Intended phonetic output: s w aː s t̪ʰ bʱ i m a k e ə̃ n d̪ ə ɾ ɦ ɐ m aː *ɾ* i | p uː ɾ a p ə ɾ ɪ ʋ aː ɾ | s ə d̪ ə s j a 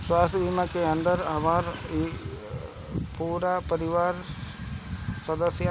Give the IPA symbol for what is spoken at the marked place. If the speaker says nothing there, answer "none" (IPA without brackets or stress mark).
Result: ɾ